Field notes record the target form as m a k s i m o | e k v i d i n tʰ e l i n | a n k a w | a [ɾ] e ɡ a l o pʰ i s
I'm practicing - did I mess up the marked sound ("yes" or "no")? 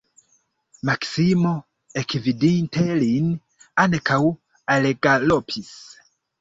yes